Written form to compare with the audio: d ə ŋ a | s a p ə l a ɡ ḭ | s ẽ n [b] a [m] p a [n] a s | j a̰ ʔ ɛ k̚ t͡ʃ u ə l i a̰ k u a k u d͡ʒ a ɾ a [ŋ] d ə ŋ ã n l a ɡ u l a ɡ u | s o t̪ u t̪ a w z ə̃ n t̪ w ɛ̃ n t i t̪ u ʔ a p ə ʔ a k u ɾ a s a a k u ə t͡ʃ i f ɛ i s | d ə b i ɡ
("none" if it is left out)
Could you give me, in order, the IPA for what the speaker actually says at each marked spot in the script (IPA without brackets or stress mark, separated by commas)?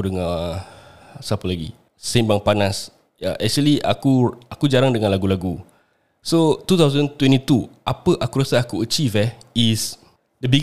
b, ŋ, n, ŋ